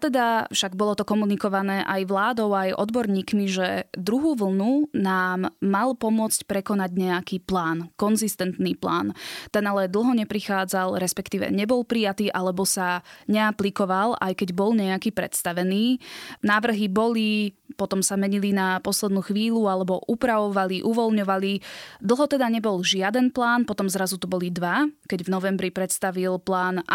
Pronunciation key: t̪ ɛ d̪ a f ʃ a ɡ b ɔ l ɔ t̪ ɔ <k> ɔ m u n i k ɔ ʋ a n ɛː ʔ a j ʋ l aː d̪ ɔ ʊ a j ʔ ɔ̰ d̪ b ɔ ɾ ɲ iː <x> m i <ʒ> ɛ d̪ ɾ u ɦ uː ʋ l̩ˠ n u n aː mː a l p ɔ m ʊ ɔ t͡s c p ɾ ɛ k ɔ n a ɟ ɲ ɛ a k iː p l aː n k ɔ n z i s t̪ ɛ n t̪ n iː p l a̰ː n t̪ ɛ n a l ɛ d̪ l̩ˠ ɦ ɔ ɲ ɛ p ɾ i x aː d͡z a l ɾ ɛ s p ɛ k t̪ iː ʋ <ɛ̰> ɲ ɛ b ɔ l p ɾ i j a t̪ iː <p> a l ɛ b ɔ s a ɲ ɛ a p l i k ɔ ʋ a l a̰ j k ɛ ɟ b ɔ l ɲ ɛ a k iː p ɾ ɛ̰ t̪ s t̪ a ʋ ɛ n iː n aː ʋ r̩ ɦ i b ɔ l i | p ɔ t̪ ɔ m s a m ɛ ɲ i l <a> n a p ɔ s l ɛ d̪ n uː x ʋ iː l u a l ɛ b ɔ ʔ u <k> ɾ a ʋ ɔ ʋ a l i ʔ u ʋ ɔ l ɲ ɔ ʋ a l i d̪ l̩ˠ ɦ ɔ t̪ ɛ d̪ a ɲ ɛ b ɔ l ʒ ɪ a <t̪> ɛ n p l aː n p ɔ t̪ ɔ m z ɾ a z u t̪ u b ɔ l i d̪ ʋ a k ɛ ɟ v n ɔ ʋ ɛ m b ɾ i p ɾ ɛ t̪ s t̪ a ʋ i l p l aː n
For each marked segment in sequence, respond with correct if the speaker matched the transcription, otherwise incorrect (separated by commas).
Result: correct, incorrect, correct, correct, incorrect, incorrect, incorrect, incorrect